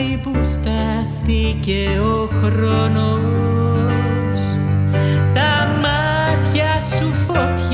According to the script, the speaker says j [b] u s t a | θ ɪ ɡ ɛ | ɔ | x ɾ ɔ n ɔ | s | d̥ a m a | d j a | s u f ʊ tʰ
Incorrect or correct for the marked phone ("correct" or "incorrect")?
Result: correct